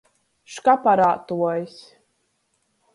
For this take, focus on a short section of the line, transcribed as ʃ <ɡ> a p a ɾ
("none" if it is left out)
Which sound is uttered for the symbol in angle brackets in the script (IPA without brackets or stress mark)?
k